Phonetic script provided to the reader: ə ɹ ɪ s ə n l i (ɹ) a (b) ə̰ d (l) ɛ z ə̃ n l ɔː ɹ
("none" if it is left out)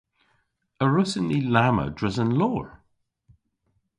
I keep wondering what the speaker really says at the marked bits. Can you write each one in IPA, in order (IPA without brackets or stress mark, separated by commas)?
l, m, ɹ